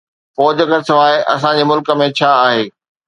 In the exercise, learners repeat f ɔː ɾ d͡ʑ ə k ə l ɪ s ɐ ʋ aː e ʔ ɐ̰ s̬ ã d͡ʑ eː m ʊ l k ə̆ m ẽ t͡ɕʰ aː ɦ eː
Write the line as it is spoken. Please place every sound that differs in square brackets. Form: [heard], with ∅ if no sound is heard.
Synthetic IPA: f ɔː [∅] d͡ʑ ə k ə [ɾ] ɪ s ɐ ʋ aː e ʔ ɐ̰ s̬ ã d͡ʑ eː m ʊ l k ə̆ m ẽ t͡ɕʰ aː ɦ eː